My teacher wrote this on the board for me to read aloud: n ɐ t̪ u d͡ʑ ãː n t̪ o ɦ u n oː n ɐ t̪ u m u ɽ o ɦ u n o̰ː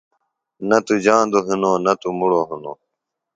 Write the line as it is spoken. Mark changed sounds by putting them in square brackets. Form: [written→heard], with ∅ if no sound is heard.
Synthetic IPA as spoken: n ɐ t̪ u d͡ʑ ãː n [t̪→d̪] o ɦ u n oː n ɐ t̪ u m u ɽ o ɦ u n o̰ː